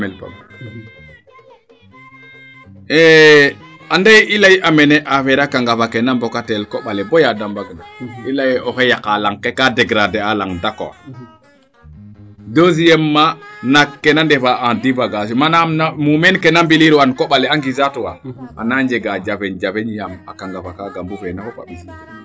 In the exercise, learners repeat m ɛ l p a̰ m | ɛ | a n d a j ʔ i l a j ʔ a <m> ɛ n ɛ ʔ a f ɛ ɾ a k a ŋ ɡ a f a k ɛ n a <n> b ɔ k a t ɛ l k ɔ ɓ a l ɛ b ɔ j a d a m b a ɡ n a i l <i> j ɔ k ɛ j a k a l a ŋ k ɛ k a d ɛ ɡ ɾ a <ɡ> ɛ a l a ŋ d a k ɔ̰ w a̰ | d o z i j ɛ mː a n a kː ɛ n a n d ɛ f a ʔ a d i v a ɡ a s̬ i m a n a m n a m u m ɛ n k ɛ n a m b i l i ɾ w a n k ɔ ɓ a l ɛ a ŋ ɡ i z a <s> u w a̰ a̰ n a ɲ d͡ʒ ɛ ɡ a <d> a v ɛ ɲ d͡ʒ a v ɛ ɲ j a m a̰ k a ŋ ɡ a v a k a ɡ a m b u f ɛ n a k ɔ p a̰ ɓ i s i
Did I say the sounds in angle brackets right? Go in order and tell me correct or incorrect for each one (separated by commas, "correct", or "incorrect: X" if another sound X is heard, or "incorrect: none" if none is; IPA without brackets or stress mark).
correct, incorrect: m, incorrect: a, incorrect: d, incorrect: t, incorrect: d͡ʒ